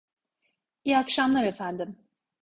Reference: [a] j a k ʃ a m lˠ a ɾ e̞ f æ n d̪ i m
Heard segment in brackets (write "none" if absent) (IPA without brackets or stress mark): i